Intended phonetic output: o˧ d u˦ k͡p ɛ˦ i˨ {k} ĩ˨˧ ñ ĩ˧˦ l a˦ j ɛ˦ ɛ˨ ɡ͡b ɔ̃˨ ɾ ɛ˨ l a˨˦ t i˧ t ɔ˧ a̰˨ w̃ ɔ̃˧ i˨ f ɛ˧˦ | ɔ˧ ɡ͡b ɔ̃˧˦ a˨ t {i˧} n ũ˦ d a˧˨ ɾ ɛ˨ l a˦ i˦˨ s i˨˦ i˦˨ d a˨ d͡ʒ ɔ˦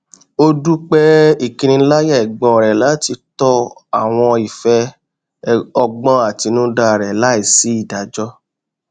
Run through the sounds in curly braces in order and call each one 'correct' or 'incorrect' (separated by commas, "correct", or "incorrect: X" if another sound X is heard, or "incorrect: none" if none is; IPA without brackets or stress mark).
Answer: correct, correct